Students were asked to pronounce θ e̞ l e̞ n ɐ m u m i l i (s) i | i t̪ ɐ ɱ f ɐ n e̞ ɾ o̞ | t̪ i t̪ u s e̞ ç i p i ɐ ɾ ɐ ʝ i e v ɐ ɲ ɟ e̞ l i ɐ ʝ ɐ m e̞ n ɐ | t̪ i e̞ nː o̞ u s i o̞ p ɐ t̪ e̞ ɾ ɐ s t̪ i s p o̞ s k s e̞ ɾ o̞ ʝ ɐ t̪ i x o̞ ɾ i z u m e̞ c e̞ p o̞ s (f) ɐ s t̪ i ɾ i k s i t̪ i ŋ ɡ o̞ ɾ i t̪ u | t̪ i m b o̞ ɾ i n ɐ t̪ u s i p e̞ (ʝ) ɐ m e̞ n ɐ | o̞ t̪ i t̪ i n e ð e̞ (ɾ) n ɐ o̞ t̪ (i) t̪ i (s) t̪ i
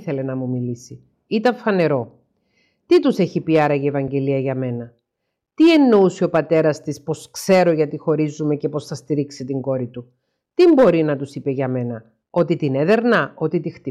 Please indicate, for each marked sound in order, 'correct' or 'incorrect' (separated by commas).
correct, incorrect, correct, correct, correct, incorrect